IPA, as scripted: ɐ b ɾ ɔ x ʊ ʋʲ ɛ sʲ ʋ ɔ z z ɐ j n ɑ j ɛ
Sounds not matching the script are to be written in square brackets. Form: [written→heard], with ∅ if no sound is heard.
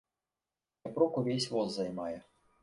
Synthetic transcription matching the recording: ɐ [b→p] ɾ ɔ [x→k] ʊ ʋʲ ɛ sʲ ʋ ɔ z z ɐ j [n→m] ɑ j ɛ